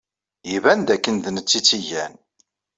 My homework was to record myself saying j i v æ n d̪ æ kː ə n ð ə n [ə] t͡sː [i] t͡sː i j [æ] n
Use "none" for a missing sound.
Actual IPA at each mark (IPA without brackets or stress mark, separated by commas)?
ə, i, æ